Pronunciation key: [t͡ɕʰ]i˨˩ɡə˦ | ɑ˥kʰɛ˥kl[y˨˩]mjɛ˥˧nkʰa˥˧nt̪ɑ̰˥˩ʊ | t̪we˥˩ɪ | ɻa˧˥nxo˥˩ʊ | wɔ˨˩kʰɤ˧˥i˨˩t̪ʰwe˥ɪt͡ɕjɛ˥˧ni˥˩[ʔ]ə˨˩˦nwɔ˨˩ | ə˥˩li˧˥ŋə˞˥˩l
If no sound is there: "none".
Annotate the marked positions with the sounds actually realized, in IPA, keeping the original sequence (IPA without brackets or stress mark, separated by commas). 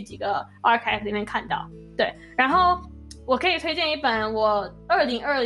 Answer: t͡ɕ, i˨˩, p